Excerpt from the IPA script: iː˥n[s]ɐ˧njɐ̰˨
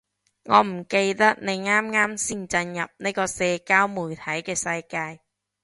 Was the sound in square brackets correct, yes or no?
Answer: no